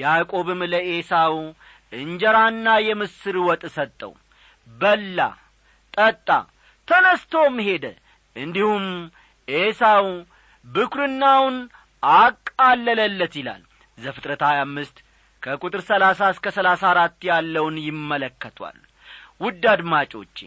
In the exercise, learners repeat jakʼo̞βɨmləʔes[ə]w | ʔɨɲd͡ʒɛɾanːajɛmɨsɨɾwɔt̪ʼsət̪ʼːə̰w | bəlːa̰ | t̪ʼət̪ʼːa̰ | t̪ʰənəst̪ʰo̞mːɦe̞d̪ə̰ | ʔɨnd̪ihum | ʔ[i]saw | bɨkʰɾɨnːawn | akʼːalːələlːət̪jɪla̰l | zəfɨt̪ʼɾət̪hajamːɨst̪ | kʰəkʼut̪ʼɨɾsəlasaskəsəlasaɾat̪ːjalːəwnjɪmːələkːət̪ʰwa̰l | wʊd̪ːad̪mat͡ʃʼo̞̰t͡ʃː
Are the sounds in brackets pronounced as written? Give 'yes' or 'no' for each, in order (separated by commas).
no, no